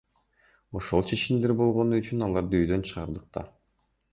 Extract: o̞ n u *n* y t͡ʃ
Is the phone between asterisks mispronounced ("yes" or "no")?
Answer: yes